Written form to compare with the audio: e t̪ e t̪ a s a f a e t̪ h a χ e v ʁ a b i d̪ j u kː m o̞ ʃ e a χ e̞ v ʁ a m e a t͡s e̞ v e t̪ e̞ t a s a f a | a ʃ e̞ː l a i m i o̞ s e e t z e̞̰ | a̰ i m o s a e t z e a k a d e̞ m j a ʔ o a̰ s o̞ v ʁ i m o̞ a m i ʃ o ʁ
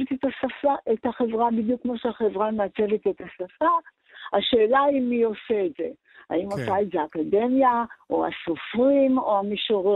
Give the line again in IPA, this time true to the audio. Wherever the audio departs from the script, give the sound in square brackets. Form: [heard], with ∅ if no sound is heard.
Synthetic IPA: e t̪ e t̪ a s a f a e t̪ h a χ e v ʁ a b i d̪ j u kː m o̞ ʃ e a χ e̞ v ʁ a m e a t͡s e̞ v e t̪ e̞ t a s a f a | a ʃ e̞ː l a i m i o̞ s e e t z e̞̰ | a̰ i m o s a e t z e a k a d e̞ m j a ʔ o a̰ s o̞ [f] ʁ i m o̞ a m i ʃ o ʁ